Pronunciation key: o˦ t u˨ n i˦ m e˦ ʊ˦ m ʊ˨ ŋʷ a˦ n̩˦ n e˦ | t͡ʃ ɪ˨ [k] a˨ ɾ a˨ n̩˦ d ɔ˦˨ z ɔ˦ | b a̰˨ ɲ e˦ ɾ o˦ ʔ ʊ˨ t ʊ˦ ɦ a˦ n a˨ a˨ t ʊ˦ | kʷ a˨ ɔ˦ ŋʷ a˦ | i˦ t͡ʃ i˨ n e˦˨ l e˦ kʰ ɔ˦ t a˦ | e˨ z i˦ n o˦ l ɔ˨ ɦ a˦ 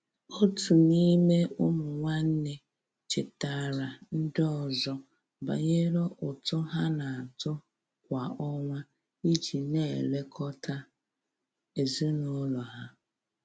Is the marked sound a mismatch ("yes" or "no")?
yes